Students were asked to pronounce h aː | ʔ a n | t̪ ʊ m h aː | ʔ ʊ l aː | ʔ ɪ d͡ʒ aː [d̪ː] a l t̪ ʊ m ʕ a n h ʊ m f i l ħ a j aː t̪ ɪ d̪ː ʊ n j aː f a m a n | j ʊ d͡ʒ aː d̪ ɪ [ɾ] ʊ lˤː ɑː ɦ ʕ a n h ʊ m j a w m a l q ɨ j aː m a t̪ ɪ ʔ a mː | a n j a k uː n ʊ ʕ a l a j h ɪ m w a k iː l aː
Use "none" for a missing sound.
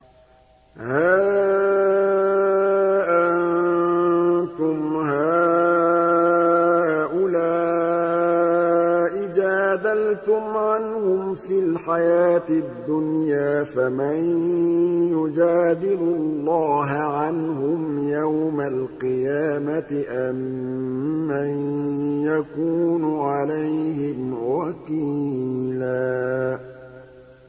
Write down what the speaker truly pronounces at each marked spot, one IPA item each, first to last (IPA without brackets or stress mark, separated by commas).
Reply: d̪, l